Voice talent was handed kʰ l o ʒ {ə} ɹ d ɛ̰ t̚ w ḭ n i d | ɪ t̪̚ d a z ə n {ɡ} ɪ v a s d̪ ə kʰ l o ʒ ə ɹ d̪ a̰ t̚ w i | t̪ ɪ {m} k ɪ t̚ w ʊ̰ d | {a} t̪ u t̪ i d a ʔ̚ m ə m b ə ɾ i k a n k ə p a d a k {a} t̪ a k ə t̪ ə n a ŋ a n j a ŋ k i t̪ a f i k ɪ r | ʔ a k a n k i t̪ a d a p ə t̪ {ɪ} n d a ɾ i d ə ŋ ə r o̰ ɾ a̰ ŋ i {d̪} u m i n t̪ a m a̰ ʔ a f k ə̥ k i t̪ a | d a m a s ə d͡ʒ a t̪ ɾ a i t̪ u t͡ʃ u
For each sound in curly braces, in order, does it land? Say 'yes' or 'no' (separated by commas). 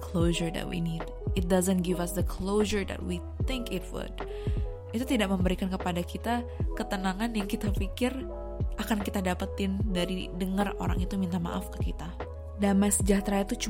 yes, yes, no, no, no, yes, no